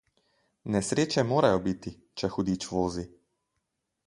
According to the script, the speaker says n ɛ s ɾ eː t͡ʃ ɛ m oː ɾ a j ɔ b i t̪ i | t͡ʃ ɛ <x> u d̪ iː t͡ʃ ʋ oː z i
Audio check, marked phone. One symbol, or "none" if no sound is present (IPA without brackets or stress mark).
x